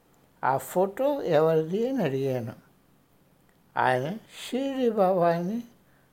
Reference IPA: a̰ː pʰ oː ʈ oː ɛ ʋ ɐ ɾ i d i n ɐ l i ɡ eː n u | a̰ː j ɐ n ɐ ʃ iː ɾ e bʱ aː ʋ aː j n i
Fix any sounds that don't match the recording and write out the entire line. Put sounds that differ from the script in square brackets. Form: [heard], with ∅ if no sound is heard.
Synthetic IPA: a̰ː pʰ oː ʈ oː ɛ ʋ ɐ ɾ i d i n ɐ [ɽ] i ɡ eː n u | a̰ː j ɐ n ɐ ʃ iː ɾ [i] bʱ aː ʋ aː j n i